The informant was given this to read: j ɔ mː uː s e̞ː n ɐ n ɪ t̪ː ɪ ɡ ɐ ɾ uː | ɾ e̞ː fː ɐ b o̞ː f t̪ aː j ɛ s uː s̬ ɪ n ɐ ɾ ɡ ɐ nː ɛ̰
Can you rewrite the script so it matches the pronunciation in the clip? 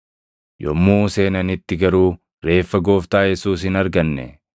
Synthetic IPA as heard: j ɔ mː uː s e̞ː n ɐ n ɪ t̪ː ɪ ɡ ɐ ɾ uː | ɾ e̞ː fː ɐ ɡ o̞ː f t̪ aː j ɛ s uː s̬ ɪ n ɐ ɾ ɡ ɐ nː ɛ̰